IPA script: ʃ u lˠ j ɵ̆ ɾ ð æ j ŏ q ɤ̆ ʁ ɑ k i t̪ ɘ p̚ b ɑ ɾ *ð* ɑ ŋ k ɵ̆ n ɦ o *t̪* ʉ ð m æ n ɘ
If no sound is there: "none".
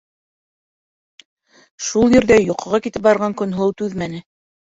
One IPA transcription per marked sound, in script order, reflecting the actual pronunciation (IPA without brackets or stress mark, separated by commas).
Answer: ʁ, t̪